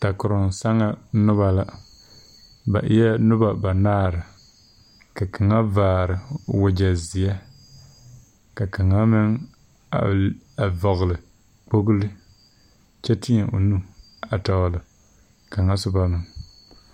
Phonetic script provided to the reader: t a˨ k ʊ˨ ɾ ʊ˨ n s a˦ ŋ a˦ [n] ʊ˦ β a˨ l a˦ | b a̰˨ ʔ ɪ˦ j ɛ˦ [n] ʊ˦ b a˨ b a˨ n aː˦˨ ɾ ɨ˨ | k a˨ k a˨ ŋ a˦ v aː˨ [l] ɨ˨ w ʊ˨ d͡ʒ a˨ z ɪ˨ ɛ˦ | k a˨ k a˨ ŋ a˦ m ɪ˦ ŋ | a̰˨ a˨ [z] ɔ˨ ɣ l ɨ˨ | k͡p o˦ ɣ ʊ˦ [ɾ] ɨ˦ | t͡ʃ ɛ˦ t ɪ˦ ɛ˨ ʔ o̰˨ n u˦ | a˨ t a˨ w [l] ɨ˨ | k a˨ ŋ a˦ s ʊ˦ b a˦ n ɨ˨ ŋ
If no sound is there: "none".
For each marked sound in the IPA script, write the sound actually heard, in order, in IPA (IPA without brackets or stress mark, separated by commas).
n, n, ɾ, v, l, l